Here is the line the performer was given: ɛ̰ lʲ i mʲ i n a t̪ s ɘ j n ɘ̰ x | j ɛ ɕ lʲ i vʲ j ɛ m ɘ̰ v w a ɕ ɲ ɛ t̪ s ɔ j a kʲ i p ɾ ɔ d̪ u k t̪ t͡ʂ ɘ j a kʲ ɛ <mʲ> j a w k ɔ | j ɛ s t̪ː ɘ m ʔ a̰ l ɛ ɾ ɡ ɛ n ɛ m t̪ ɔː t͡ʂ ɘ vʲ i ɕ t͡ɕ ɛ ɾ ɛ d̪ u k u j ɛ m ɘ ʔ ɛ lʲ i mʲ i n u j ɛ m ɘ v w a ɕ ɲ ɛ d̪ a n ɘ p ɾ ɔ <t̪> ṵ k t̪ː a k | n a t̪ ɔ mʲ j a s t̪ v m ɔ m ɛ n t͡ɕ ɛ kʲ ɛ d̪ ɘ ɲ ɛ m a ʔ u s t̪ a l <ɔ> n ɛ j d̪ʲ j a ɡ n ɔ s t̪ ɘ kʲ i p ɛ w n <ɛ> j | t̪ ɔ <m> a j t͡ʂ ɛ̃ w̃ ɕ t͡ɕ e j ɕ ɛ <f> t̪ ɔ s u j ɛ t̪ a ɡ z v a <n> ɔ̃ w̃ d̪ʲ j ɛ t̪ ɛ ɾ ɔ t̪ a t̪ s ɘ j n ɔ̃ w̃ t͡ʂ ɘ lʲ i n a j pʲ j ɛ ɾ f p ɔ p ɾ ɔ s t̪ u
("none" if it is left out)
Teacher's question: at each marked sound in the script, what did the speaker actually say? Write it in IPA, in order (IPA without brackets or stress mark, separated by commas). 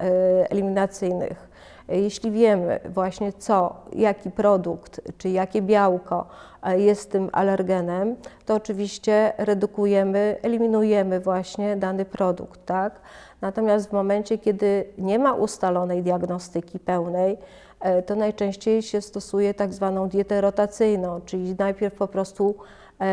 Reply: bʲ, d̪, ɔ, ɛ, n, s, n